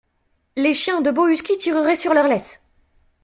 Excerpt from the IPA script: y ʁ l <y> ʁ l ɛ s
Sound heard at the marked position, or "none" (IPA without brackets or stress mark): œ